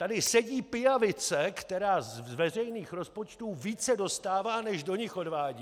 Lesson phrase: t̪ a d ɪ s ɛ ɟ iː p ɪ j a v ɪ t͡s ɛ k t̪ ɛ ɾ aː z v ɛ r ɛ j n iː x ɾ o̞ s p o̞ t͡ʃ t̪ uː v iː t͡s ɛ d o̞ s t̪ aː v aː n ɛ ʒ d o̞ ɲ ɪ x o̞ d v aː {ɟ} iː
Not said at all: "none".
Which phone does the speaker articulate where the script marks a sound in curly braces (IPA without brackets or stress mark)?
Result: ɟ